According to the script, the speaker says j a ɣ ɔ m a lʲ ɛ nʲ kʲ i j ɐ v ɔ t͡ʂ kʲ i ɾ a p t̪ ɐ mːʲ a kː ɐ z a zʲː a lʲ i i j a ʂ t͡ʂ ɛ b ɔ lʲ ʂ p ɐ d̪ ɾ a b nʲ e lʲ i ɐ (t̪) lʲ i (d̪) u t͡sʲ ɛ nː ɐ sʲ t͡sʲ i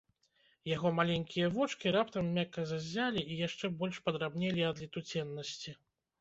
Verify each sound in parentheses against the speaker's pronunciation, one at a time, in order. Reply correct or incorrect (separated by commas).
incorrect, incorrect